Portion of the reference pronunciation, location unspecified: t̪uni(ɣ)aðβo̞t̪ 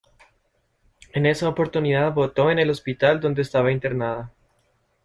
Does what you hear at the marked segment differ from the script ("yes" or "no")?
yes